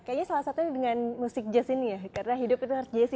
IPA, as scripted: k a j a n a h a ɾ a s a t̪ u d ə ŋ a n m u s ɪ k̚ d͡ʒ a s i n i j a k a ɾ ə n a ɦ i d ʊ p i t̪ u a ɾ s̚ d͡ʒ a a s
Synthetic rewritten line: k a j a ɲ a s a l a s a t̪ u d ə ŋ a n m u s ɪ k̚ d͡ʒ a s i n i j a k a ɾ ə n a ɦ i d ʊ p i t̪ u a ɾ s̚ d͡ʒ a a s

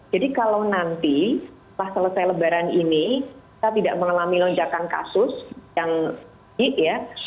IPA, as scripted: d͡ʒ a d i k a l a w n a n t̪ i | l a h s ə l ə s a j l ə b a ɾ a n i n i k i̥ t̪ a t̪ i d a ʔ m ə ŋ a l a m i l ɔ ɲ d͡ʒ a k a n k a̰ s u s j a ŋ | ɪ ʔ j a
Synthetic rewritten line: d͡ʒ a d i k a l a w n a n t̪ i | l a h s ə l ə s a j l ə b a ɾ a n i n i k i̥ t̪ a t̪ i d a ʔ m ə ŋ a l a m i l ɔ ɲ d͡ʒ a k a n k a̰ s ʊ s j a ŋ | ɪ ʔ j a

